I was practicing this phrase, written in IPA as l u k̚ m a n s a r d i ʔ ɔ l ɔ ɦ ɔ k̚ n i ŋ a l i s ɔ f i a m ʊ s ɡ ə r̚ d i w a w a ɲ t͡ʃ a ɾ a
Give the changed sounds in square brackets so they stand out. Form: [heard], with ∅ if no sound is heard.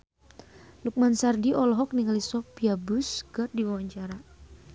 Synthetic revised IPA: l u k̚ m a n s a r d i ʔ ɔ l ɔ ɦ ɔ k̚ n i ŋ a l i s ɔ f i a [b] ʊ s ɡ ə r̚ d i w a w a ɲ t͡ʃ a ɾ a